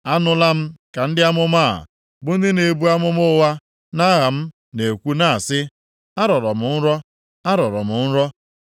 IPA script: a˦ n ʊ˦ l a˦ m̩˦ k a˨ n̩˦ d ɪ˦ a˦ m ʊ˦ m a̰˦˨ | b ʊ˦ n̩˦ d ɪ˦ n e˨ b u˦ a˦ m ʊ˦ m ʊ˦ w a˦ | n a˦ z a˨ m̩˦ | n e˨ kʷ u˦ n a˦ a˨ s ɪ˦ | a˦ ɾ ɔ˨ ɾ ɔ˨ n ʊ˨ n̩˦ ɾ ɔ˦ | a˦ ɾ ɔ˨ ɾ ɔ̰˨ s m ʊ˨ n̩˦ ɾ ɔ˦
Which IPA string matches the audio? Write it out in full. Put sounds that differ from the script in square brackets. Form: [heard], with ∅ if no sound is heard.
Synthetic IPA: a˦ n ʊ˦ l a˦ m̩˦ k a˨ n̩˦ d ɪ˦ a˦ m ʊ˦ m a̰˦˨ | b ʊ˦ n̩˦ d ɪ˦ n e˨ b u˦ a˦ m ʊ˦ m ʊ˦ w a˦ | n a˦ [ɣ] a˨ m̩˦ | n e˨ kʷ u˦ n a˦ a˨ s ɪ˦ | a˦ ɾ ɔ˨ ɾ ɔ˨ [m] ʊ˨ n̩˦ ɾ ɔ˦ | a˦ ɾ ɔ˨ ɾ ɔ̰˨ [∅] m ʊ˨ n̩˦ ɾ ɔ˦

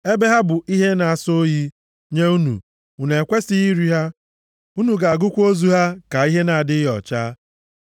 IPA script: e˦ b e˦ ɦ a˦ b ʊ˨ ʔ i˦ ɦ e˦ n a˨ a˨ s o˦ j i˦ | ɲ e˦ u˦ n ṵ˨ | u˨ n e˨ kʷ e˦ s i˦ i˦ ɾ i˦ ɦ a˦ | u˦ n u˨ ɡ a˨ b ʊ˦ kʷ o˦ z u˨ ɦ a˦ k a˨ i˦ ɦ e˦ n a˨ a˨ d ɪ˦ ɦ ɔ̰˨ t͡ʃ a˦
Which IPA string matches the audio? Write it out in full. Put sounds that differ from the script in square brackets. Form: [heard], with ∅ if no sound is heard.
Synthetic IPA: e˦ b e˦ ɦ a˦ b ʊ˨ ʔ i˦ ɦ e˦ n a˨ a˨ s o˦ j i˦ | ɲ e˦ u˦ n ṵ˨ | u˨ n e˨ kʷ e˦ s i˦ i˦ ɾ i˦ ɦ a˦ | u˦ n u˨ ɡ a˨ [ɡ] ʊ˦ kʷ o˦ z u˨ ɦ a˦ k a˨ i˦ ɦ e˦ n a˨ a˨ d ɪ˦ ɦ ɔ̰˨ t͡ʃ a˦

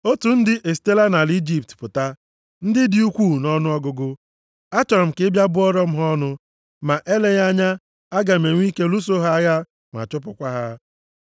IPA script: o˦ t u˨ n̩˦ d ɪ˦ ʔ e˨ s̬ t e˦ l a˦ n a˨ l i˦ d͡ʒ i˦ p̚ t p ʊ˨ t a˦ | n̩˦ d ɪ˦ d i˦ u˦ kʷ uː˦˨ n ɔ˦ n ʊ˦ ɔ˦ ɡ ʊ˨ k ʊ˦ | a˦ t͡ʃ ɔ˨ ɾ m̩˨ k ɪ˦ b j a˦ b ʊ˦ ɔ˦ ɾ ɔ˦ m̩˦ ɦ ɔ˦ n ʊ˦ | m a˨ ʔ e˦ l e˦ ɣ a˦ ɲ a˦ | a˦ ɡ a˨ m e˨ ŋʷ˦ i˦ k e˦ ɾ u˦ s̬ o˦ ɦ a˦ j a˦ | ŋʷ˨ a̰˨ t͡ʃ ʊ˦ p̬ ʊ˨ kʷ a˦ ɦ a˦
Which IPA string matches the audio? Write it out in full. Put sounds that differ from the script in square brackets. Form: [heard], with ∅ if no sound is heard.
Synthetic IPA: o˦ t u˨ n̩˦ d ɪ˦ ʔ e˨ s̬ t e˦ l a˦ n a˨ l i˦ d͡ʒ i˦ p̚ t p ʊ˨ t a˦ | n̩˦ d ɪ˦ d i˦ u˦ kʷ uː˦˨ n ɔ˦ n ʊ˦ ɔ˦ ɡ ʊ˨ [ɡ] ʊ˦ | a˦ t͡ʃ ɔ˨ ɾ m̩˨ k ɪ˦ b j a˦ b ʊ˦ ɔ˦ ɾ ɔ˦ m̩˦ ɦ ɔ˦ n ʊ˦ | m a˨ ʔ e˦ l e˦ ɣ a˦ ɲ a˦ | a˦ ɡ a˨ m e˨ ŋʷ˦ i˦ k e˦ [l] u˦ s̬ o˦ ɦ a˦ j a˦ | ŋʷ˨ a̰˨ t͡ʃ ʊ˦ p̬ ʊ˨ kʷ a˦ ɦ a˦

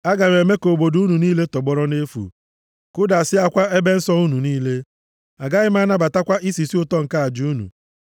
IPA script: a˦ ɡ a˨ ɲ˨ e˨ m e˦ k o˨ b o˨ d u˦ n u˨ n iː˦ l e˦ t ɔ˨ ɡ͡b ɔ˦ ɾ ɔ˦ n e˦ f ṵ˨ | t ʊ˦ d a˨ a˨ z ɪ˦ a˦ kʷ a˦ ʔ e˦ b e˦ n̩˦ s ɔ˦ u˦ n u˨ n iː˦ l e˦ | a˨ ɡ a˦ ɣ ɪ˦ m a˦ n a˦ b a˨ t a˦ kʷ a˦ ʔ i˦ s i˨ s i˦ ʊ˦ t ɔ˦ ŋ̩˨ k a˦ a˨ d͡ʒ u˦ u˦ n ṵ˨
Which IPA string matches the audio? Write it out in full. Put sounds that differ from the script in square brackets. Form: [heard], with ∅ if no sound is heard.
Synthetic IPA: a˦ ɡ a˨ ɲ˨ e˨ m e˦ k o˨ b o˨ d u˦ n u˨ n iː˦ l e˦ t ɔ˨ ɡ͡b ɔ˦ ɾ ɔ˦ n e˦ f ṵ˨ | [k] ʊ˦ d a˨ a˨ [s] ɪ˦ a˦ kʷ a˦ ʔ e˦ b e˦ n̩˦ s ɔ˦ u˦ n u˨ n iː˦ l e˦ | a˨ ɡ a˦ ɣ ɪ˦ m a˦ n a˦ b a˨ t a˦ kʷ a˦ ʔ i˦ s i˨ s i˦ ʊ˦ t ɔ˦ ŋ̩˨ k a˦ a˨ d͡ʒ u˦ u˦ n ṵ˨

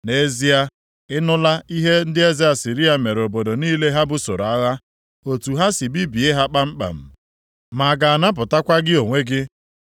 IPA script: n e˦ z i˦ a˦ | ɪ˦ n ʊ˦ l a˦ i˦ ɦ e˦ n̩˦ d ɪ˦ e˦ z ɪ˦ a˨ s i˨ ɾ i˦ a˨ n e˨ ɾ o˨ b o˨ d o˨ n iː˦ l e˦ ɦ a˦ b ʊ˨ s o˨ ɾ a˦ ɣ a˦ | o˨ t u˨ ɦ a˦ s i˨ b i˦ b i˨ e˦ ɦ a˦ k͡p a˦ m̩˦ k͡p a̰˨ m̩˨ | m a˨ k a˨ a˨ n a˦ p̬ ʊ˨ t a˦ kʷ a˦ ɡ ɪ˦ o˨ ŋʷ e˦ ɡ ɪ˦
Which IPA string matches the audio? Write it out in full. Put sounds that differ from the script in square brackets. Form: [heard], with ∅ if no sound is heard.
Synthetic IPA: n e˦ z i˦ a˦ | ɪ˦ n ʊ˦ l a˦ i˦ ɦ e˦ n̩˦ d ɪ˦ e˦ z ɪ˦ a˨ s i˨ ɾ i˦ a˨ [m] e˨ ɾ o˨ b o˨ d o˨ n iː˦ l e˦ ɦ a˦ b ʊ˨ s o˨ ɾ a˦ ɣ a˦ | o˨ t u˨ ɦ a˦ s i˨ b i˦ b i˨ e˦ ɦ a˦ k͡p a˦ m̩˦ k͡p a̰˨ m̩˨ | m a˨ [ɡ] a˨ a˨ n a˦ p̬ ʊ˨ t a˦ kʷ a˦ ɡ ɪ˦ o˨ ŋʷ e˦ ɡ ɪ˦

